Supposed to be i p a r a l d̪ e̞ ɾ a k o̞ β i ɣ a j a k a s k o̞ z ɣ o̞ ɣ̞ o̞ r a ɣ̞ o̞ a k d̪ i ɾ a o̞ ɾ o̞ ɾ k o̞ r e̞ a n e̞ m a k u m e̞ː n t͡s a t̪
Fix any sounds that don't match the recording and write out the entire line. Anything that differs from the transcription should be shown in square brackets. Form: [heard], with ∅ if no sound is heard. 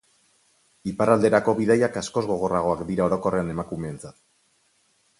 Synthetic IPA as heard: i p a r a l d̪ e̞ ɾ a k o̞ β i [ð] a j a k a s k o̞ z ɣ o̞ ɣ̞ o̞ r a ɣ̞ o̞ a k d̪ i ɾ a o̞ ɾ o̞ [∅] k o̞ r e̞ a n e̞ m a k u m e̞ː n t͡s a t̪